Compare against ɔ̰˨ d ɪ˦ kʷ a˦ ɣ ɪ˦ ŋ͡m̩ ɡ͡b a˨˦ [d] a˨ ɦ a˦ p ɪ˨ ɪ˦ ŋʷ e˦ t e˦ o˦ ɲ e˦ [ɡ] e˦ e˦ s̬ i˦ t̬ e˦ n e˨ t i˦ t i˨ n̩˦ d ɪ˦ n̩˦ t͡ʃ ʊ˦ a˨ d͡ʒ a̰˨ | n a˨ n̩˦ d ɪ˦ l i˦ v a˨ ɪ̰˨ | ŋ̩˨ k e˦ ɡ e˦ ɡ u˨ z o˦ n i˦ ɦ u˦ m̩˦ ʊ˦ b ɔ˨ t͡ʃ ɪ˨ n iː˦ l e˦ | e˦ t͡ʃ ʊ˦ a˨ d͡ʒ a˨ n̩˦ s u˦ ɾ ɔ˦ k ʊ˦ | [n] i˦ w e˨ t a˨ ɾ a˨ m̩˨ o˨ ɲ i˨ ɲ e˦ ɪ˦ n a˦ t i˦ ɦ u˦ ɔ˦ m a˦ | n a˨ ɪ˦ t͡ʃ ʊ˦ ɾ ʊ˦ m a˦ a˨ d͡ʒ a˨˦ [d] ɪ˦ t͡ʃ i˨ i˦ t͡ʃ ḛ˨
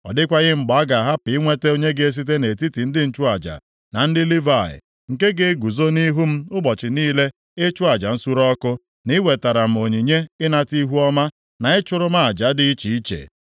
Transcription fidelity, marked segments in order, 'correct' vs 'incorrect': incorrect, correct, correct, correct

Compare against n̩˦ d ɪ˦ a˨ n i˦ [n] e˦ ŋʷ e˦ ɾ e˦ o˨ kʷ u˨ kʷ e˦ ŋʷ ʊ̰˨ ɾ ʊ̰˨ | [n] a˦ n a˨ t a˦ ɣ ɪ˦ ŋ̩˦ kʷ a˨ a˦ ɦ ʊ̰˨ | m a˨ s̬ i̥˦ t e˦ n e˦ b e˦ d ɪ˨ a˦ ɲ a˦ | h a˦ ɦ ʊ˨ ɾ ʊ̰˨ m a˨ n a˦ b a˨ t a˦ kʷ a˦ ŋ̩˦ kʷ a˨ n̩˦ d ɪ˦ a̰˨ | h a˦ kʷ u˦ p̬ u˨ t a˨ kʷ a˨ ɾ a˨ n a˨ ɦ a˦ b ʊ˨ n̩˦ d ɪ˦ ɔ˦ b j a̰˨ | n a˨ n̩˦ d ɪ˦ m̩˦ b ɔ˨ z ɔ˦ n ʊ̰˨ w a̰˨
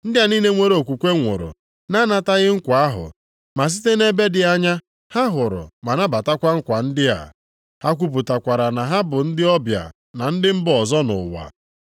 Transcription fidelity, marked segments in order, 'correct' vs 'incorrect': correct, correct

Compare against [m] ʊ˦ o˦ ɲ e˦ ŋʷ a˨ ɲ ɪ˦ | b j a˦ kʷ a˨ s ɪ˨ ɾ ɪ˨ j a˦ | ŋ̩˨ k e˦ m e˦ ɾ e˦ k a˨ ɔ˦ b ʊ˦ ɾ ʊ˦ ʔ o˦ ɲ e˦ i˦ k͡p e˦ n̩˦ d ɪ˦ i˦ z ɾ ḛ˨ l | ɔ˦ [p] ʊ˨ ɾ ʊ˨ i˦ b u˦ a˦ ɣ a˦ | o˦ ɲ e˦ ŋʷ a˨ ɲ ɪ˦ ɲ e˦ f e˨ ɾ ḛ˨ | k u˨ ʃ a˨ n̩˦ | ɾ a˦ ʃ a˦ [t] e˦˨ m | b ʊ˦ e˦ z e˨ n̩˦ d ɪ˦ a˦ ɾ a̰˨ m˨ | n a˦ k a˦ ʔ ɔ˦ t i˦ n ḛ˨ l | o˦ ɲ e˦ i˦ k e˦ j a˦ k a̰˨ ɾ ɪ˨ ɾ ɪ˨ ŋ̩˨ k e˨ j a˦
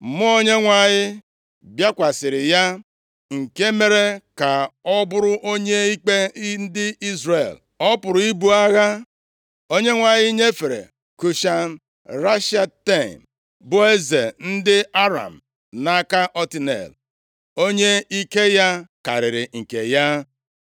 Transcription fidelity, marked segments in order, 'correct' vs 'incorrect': correct, correct, correct

